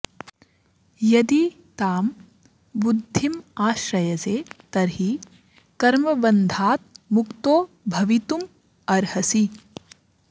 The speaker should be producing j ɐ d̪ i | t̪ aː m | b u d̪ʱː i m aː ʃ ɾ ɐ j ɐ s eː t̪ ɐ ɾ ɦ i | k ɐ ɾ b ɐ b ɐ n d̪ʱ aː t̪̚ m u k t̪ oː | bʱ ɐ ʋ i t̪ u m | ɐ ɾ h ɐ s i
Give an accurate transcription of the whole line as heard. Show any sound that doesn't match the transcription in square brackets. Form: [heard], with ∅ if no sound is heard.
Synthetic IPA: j ɐ d̪ i | t̪ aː m | b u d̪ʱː i m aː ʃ ɾ ɐ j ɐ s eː t̪ ɐ ɾ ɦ i | k ɐ ɾ [m] ɐ b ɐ n d̪ʱ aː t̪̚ m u k t̪ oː | bʱ ɐ ʋ i t̪ u m | ɐ ɾ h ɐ s i